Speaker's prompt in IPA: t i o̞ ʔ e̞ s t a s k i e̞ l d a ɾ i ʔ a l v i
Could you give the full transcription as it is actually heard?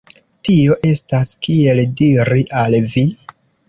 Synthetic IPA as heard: t i o̞ ʔ e̞ s t a s k i e̞ l d i ɾ i ʔ a l v i